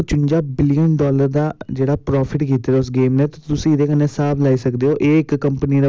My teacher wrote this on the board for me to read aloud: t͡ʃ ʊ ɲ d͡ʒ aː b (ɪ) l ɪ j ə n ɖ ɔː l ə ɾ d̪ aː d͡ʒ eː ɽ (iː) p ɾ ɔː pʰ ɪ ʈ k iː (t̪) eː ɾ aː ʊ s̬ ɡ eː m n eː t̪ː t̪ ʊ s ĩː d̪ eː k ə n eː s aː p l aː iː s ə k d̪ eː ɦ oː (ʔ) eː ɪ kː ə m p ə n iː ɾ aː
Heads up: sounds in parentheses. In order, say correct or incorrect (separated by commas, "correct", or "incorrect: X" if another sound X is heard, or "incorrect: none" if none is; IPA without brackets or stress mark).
correct, incorrect: aː, correct, correct